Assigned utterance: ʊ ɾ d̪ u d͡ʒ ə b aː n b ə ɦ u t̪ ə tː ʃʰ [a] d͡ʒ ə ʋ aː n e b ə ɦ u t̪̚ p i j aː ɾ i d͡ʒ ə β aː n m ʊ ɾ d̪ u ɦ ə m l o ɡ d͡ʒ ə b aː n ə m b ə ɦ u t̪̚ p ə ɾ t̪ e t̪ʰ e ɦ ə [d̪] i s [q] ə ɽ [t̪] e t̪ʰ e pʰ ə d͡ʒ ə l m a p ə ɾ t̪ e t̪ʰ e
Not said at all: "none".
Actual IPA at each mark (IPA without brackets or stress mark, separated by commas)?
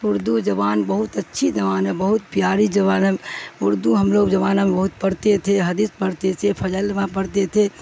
i, d̪, p, t̪